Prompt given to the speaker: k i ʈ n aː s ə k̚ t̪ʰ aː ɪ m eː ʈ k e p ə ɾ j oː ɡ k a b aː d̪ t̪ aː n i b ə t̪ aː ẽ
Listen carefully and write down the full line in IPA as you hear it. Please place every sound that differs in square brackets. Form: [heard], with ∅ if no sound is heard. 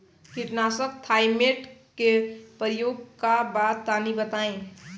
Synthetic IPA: k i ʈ n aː s ə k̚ t̪ʰ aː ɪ m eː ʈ k e p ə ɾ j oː ɡ k a b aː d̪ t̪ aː n i b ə t̪ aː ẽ